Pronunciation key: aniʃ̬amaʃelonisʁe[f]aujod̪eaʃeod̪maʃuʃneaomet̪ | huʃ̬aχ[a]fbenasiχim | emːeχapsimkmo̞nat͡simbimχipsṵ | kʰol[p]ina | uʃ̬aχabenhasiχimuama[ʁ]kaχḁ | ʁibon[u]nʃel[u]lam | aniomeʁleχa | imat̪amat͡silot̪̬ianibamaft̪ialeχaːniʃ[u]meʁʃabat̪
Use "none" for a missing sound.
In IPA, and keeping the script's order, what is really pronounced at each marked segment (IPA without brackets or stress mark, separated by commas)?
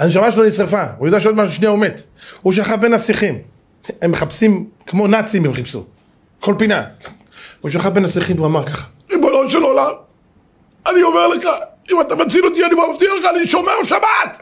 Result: f, a, p, ʁ, o, o, o